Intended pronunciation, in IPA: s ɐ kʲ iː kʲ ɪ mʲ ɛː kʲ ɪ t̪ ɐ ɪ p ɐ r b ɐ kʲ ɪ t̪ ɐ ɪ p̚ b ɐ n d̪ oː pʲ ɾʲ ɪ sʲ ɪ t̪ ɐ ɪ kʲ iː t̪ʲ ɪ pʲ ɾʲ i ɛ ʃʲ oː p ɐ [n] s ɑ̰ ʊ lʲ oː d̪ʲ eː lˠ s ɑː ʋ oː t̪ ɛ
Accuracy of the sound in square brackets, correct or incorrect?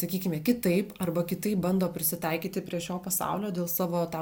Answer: incorrect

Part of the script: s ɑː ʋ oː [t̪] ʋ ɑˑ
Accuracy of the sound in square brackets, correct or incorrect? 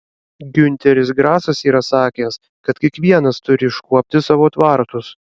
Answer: correct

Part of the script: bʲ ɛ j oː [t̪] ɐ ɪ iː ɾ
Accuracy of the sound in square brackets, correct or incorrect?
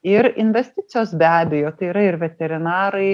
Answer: correct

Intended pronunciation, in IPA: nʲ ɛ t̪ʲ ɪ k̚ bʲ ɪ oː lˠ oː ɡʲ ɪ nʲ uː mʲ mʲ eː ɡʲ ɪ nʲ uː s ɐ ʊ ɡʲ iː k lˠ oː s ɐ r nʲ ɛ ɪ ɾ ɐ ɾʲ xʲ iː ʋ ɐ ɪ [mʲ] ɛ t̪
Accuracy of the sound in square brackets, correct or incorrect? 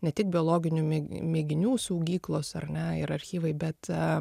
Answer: incorrect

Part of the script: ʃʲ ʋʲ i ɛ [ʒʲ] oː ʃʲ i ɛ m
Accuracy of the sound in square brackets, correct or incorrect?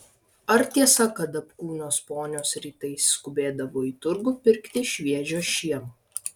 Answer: correct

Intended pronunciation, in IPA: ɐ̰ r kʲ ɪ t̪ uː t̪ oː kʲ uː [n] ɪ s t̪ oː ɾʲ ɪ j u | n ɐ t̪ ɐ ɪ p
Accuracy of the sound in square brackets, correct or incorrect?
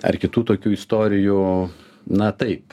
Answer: incorrect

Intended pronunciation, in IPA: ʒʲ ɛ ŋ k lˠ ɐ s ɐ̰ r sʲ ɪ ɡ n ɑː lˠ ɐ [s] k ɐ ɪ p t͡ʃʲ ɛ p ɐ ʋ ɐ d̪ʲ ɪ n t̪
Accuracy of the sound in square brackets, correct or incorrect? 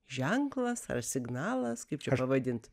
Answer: correct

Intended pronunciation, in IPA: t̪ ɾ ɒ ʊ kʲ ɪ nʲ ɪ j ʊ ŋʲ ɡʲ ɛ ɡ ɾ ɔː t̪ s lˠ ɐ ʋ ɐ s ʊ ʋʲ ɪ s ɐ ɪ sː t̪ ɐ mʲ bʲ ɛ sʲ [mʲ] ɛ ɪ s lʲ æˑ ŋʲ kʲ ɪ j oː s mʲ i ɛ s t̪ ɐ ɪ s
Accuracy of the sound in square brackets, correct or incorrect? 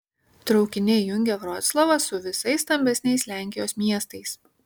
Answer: incorrect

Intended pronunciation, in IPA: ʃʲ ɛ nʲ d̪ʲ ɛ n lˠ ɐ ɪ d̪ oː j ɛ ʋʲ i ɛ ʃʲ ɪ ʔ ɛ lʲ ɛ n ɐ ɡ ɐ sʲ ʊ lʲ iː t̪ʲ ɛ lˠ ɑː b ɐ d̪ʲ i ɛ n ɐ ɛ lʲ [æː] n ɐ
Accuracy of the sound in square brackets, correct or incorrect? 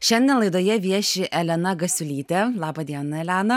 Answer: correct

